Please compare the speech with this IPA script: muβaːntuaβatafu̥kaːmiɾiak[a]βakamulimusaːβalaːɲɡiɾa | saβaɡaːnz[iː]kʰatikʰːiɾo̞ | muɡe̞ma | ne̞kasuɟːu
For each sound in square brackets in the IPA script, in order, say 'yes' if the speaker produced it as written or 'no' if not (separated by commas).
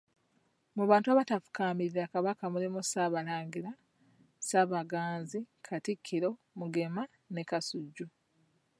yes, no